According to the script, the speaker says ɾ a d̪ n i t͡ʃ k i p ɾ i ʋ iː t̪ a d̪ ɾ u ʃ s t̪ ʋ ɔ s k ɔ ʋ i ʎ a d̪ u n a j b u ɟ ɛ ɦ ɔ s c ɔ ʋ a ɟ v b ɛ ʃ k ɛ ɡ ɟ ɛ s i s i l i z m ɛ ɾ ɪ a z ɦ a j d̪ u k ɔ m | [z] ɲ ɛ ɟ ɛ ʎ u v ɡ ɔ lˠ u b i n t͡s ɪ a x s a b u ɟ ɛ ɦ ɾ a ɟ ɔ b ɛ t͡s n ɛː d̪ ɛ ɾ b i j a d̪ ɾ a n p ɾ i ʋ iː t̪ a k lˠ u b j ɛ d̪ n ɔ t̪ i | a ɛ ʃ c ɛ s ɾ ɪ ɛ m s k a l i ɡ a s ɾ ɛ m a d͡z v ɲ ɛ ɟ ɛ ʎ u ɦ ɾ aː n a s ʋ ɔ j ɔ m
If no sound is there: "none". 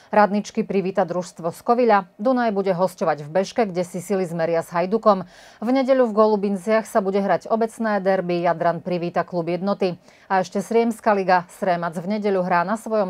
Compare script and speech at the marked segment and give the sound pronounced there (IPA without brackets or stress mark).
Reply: v